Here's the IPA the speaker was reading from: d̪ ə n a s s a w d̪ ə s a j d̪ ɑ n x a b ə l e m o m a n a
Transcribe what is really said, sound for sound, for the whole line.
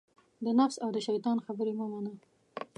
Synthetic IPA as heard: d̪ ə n a f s a w d̪ ə ʃ a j t̪ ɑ n x a b ə ɾ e m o m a n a